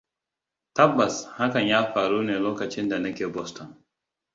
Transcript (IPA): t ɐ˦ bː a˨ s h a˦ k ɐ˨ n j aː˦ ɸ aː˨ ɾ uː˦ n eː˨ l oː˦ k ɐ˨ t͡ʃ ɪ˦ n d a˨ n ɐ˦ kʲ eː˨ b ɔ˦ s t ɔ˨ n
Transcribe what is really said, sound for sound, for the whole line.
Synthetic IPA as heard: t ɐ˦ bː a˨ s h a˦ k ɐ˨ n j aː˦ ɸ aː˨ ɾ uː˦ n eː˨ l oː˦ k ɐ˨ t͡ʃ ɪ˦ n d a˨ n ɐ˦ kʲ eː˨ b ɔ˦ s t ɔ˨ n